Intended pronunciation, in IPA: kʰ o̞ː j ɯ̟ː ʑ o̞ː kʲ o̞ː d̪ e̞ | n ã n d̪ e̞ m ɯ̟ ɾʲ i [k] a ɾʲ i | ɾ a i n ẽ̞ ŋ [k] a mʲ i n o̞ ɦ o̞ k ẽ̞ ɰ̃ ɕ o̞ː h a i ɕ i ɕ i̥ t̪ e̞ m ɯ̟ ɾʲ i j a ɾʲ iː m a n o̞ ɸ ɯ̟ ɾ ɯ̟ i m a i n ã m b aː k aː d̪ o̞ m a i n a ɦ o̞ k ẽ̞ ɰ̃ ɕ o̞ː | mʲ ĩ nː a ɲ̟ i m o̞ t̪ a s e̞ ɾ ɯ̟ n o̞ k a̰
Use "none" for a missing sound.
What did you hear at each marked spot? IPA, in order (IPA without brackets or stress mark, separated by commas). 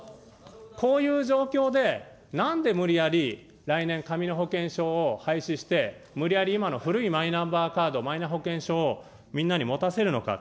none, k